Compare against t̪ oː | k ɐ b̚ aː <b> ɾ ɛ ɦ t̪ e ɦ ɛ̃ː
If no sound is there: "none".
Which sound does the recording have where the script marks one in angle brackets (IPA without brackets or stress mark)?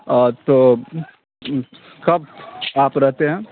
p